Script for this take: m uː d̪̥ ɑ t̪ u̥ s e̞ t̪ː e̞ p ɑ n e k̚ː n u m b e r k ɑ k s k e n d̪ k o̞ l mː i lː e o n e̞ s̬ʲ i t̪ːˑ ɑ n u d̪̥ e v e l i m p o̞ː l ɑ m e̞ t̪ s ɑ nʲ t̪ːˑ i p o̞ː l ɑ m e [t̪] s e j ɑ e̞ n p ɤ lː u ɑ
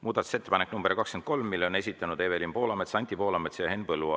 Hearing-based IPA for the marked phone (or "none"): t̪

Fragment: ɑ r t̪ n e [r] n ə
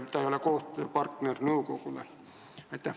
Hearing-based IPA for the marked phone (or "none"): r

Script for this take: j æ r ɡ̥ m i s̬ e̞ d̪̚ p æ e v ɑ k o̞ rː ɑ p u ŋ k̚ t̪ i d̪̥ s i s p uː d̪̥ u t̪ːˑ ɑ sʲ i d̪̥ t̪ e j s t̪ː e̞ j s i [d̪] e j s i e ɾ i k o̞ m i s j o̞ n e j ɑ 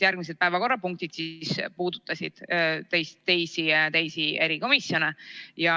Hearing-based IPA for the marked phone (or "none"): t̪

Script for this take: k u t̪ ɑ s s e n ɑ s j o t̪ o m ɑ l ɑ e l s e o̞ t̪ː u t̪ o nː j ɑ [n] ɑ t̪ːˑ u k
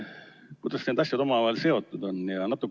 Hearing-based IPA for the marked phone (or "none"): n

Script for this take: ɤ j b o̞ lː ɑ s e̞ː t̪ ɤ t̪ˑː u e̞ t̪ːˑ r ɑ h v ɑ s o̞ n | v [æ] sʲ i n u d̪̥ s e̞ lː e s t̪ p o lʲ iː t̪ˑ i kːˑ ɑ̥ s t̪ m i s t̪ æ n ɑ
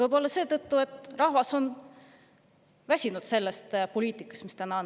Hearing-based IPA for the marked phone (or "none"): æ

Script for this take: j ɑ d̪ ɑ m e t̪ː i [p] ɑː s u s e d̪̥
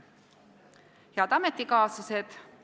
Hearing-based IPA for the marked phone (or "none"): k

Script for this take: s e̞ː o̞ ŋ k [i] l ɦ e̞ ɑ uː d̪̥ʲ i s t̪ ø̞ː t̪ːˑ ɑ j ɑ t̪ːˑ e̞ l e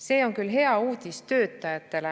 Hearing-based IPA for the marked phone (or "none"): y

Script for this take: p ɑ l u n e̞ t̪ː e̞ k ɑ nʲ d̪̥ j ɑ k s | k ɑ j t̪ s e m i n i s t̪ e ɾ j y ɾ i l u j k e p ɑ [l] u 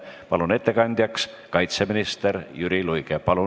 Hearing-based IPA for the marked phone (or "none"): l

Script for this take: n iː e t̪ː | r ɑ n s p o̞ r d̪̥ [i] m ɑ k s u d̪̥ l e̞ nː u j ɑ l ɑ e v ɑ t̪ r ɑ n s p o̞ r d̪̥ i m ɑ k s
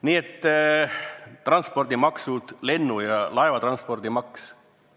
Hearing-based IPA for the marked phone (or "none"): i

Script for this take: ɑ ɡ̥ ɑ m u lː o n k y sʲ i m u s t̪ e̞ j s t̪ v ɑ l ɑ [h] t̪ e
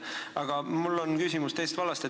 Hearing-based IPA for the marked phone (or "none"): s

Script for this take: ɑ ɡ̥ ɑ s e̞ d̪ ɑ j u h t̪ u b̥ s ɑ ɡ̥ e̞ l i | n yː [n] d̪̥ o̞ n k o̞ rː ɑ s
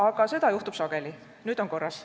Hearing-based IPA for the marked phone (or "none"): none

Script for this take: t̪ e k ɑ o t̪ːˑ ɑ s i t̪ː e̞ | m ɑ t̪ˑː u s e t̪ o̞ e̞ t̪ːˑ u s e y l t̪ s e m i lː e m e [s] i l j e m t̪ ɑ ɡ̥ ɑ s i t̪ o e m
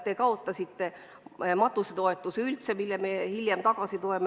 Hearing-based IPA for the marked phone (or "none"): h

